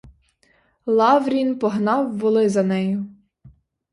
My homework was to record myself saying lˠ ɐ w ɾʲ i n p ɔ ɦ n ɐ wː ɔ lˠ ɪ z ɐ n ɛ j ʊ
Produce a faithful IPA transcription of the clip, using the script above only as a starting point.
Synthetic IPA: lˠ ɑ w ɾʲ i n p ɔ ɦ n ɑ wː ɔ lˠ ɪ z ɐ n ɛ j ʊ

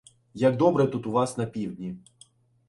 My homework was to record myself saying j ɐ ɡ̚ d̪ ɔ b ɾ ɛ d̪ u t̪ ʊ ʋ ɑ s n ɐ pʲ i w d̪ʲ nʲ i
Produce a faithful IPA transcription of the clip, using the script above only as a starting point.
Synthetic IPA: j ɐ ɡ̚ d̪ ɔ b ɾ ɛ t̪ u t̪ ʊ ʋ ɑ s n ɐ pʲ i w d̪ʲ nʲ i

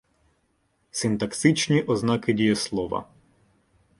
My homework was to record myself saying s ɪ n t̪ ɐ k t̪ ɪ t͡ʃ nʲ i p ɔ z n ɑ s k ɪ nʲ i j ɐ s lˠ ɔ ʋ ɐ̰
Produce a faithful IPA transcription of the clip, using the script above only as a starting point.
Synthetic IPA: s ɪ n t̪ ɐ k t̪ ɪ t͡ʃ nʲ i ʔ ɔ z n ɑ k ɪ dʲ i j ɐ s lˠ ɔ ʋ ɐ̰

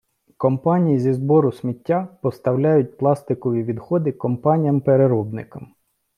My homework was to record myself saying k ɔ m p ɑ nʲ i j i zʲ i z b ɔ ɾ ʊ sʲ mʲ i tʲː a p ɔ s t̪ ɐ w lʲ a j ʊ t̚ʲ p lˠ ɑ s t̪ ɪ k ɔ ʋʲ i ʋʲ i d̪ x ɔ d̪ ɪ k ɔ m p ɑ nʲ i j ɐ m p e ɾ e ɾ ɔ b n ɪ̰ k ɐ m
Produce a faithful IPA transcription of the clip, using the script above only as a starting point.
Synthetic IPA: k ɔ m p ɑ nʲ i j i zʲ i z b ɔ ɾ ʊ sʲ mʲ i tʲː a p ɔ s t̪ ɐ w lʲ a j ʊ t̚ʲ p lˠ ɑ s t̪ ɪ k ɔ ʋʲ i ʋʲ i d̪ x ɔ d̪ ɪ k ɔ m p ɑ nʲ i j ɐ m p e ɾ e ɾ ɔ b n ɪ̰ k ɐ m

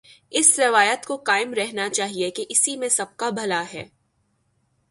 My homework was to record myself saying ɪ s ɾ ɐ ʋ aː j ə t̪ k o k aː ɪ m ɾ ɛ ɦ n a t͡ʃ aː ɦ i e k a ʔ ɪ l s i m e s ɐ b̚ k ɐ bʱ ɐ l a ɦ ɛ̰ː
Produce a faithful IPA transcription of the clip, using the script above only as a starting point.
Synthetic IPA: ɪ s ɾ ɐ ʋ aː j ə t̪ k o k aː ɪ m ɾ ɛ ɦ n a t͡ʃ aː ɦ i e k e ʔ ɪ s i m ẽ s ɐ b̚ k a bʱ ɐ l a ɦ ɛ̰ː

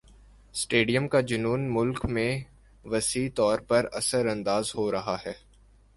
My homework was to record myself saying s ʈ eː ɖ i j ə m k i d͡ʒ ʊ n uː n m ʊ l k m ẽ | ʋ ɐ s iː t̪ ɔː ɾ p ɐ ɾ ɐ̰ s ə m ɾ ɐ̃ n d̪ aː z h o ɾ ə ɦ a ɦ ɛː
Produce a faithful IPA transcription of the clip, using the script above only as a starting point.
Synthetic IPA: s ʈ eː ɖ i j ə m k a d͡ʒ ʊ n uː n m ʊ l k m ẽ | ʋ ɐ s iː t̪ ɔː ɾ p ɐ ɾ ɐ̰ s ə ɾ ɐ̃ n d̪ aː z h o ɾ ɐ ɦ a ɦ ɛː

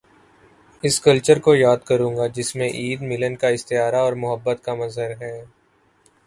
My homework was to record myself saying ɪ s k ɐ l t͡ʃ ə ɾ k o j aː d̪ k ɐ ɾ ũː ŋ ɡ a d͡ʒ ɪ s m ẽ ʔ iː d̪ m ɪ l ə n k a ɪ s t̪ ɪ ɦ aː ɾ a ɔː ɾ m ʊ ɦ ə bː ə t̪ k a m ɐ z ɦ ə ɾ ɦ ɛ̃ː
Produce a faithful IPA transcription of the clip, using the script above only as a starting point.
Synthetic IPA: ɪ s k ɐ l t͡ʃ ə ɾ k o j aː d̪ k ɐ ɾ ũː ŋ ɡ a d͡ʒ ɪ s m ẽ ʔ iː d̪ m ɪ l ə n k a ɪ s t̪ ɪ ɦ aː ɾ a ɔː ɾ m ʊ ɦ ə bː ə t̪ k a m ɐ z ɦ ə ɾ ɦ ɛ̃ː

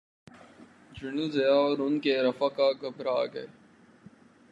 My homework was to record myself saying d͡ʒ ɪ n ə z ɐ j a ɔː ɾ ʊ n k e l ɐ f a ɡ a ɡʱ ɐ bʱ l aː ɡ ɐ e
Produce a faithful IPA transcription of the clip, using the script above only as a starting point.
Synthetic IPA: d͡ʒ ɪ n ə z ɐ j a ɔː ɾ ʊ n k e ɾ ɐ f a k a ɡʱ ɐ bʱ ɾ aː ɡ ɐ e

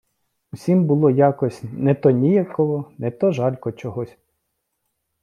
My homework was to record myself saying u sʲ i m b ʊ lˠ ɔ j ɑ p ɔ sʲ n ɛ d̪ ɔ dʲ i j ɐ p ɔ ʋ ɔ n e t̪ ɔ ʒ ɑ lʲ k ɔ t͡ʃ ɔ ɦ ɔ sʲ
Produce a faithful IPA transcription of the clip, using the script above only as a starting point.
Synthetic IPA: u sʲ i m b ʊ lˠ ɔ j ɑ k ɔ sʲ n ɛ t̪ ɔ nʲ i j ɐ k ɔ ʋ ɔ n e t̪ ɔ ʒ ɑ lʲ k ɔ t͡ʃ ɔ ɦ ɔ sʲ

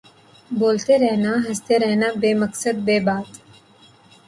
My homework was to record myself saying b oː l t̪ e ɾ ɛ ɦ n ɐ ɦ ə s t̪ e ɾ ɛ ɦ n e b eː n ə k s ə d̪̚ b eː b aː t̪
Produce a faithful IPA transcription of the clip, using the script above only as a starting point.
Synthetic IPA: b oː l t̪ e ɾ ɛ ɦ n a ɦ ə s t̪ e ɾ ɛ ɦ n a b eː m ə k s ə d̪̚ b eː b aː t̪

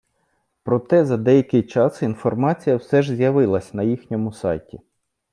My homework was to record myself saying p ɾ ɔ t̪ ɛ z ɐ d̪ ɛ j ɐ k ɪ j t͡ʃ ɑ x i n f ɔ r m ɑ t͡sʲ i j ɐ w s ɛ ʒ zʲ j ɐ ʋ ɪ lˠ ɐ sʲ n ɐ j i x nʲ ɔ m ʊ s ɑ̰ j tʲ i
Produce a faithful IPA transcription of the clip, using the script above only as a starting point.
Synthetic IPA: p ɾ ɔ t̪ ɛ z ɐ d̪ ɛ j ɐ k ɪ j t͡ʃ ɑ s i n f ɔ r m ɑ t͡sʲ i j ɐ w s ɛ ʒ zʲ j ɐ ʋ ɪ lˠ ɐ sʲ n ɐ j i x nʲ ɔ m ʊ s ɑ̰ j tʲ i

